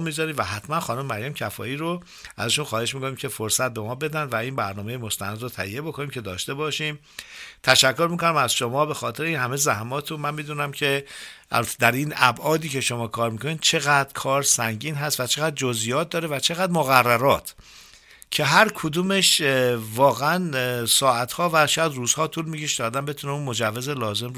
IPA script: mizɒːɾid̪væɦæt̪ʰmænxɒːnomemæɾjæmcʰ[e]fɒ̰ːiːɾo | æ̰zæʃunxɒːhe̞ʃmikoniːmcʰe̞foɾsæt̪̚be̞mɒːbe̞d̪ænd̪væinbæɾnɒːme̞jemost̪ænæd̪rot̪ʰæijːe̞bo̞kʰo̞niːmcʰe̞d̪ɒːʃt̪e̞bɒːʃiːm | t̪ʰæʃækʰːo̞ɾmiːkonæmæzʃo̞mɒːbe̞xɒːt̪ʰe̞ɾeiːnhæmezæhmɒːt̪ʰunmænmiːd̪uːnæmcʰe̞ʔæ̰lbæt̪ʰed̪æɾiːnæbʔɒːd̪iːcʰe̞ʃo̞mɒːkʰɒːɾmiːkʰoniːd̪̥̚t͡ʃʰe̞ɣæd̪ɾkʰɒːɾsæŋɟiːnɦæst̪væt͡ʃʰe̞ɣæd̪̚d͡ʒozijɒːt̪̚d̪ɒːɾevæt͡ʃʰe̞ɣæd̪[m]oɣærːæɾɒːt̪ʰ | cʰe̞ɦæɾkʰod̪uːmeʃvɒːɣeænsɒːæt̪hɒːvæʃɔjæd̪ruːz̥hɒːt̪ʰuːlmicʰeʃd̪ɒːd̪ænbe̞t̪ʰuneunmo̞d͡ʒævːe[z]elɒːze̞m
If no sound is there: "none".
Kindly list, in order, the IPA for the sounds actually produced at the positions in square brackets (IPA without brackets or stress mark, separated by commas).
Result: æ, m, z